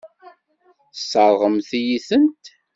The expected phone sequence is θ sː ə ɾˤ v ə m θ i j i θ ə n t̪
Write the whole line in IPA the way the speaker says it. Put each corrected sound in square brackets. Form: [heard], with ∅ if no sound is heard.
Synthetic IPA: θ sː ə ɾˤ [ʁ] ə m θ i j i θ ə n t̪